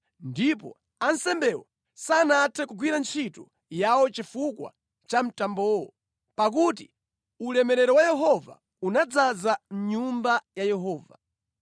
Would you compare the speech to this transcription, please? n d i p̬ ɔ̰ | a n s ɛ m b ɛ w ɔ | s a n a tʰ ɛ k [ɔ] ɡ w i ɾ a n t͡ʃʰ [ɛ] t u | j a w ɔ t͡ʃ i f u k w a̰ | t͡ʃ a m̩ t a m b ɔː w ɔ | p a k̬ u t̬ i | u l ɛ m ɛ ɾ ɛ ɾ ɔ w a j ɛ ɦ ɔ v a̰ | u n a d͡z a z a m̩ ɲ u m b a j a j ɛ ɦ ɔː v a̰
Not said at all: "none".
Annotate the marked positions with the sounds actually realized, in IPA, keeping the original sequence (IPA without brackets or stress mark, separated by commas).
u, i